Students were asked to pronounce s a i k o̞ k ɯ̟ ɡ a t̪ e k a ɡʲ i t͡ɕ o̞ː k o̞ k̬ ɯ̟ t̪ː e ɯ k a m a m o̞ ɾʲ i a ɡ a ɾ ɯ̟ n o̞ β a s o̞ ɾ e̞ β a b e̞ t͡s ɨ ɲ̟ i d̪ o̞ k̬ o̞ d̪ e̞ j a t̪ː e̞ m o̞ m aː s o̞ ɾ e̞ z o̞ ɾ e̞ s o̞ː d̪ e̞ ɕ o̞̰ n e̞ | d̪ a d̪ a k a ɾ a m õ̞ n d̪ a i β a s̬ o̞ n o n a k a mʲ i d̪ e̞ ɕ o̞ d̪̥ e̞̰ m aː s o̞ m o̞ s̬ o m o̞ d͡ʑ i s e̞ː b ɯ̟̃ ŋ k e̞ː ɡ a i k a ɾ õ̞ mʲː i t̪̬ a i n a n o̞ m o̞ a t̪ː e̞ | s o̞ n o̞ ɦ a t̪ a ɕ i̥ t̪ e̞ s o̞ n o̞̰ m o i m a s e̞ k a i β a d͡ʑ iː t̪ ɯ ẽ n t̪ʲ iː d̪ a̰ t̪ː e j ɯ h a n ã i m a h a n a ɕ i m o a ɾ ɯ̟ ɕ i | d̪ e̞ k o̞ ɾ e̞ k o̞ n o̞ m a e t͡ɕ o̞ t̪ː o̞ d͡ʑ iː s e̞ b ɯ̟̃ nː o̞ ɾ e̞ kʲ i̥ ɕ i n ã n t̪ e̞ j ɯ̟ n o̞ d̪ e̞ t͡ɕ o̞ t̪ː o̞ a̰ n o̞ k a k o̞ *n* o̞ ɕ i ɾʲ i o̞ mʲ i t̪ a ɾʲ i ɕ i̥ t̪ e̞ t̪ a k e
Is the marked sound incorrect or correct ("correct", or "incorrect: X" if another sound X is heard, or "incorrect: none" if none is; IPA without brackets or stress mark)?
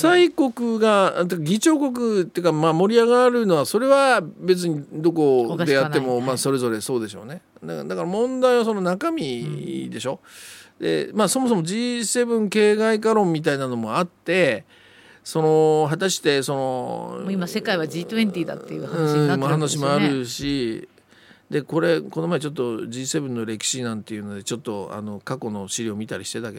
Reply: correct